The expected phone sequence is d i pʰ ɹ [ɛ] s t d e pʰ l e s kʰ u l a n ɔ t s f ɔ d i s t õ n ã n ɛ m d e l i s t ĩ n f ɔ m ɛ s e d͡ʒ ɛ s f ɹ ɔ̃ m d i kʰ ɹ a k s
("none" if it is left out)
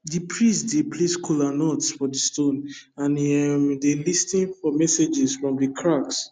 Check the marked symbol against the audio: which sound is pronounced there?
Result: i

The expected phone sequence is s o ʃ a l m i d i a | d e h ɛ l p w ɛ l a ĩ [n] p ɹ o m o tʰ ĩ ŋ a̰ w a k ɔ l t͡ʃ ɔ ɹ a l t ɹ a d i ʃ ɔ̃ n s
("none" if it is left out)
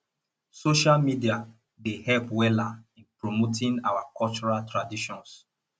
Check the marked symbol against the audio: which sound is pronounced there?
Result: n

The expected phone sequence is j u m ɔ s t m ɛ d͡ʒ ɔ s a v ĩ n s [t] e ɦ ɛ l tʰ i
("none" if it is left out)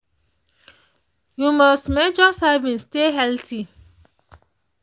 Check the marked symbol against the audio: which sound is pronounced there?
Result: t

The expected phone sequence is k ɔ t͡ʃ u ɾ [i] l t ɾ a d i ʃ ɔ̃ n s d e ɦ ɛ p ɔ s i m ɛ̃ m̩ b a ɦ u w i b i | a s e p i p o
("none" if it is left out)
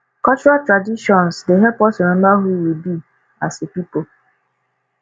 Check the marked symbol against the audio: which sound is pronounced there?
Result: a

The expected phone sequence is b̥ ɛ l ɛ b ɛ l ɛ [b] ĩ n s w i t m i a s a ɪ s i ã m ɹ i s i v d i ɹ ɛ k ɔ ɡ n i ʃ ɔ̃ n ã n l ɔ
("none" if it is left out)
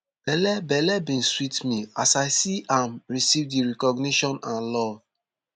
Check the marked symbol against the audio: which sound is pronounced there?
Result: b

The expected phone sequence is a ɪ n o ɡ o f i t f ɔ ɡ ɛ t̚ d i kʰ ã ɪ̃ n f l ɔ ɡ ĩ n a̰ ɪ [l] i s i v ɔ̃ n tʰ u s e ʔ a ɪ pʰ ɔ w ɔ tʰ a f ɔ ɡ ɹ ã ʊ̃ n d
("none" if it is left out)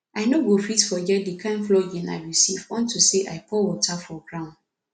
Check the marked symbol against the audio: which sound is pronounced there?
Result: ɹ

